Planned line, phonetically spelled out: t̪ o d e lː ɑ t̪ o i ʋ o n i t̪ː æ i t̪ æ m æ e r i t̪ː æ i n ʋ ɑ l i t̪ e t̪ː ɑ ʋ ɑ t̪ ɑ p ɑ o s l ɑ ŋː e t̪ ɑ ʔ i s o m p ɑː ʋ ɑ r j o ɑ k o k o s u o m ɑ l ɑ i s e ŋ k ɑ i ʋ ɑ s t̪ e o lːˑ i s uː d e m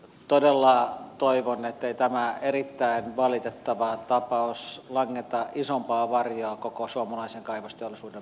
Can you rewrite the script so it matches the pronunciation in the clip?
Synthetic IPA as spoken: t̪ o d e lː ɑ t̪ o i ʋ o n e t̪ː e i t̪ æ m æ e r i t̪ː æ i n ʋ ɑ l i t̪ e t̪ː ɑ ʋ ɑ t̪ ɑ p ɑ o s l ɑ ŋː e t̪ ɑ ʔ i s o m p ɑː ʋ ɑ r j o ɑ k o k o s u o m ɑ l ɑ i s e ŋ k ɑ i ʋ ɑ s t̪ e o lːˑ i s uː d e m